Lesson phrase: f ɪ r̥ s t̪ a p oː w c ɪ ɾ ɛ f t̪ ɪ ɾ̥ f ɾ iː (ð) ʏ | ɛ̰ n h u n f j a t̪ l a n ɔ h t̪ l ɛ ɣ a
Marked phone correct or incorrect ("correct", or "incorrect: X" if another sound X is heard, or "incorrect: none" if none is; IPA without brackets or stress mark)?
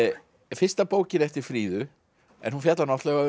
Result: correct